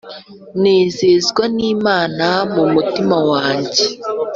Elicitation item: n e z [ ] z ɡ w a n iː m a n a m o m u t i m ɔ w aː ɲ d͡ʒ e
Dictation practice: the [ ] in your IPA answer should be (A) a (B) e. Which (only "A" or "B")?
B